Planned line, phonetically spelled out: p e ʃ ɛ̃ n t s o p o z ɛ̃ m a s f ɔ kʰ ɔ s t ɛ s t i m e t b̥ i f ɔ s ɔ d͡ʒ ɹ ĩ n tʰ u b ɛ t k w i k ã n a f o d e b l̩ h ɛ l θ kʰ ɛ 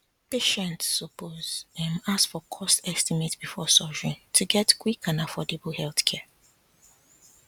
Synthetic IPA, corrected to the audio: p e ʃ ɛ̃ n t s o p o z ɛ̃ m a s f ɔ kʰ ɔ s t ɛ s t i m e t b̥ i f ɔ s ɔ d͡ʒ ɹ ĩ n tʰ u ɡ ɛ t k w i k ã n a f ɔ d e b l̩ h ɛ l θ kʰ ɛ